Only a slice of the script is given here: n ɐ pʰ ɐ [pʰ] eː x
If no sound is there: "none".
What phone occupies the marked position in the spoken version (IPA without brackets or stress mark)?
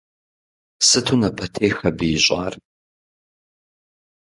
tʰ